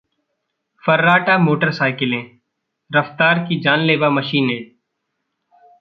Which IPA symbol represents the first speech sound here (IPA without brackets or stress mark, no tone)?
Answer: f